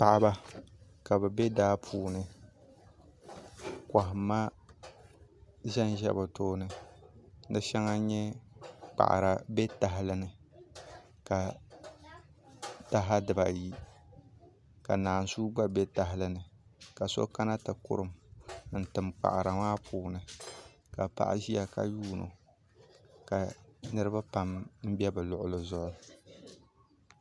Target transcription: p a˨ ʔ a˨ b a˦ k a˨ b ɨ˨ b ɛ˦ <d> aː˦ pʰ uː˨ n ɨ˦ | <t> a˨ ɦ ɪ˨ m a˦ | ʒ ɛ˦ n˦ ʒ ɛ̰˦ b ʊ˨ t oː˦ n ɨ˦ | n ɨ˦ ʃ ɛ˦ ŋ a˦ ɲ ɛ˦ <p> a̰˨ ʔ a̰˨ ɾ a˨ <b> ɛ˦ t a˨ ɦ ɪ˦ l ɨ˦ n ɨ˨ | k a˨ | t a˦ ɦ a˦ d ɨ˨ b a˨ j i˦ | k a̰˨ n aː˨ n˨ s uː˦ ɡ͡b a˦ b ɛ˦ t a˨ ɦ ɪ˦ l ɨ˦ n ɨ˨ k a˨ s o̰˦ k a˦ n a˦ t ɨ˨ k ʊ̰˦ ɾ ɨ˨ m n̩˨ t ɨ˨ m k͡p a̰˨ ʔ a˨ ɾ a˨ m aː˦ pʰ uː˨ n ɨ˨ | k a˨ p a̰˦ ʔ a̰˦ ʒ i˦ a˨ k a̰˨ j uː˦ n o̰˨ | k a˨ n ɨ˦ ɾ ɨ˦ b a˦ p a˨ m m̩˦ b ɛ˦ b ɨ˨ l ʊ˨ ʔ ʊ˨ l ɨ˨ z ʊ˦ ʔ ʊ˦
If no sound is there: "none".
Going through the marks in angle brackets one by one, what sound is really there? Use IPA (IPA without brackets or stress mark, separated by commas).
d, k, k͡p, b